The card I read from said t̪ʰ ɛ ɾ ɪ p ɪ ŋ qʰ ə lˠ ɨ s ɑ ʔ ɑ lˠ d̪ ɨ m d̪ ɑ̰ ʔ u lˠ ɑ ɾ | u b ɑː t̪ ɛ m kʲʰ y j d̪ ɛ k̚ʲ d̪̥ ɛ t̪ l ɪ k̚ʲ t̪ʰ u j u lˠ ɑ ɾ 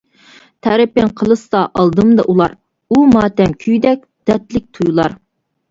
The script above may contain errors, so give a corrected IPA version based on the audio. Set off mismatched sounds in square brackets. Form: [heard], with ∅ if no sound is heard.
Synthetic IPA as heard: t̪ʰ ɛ ɾ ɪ p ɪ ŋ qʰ ə lˠ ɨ s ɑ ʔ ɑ lˠ d̪ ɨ m d̪ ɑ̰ ʔ u lˠ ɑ ɾ | u [m] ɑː t̪ ɛ m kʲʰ y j d̪ ɛ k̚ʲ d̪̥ ɛ t̪ l ɪ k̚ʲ t̪ʰ u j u lˠ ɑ ɾ